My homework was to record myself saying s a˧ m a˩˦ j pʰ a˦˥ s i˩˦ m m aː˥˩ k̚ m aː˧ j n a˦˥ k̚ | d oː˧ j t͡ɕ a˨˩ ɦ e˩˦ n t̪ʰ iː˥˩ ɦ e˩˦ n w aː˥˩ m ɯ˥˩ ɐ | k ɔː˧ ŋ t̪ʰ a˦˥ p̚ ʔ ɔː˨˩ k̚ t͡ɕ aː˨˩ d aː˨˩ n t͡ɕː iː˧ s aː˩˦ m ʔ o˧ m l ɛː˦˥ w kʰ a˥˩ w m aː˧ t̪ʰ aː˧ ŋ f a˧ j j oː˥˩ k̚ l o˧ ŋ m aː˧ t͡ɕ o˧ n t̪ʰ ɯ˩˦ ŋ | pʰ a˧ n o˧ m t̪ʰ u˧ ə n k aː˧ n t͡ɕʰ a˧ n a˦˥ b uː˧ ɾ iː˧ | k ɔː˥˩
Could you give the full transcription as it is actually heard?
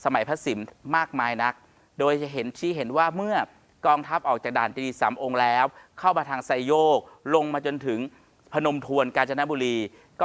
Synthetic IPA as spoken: s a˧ m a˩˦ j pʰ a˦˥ s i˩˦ m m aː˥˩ k̚ m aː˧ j n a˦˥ k̚ | d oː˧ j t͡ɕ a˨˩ ɦ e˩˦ n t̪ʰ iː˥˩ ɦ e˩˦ n w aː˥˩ m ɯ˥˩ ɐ | k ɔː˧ ŋ t̪ʰ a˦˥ p̚ ʔ ɔː˨˩ k̚ t͡ɕ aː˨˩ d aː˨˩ n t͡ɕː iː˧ s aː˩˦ m ʔ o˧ ŋ l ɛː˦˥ w kʰ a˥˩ w m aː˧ t̪ʰ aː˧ ŋ s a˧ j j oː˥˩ k̚ l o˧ ŋ m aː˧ t͡ɕ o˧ n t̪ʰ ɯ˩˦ ŋ | pʰ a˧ n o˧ m t̪ʰ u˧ ə n k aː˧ n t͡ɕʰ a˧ n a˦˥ b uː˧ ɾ iː˧ | k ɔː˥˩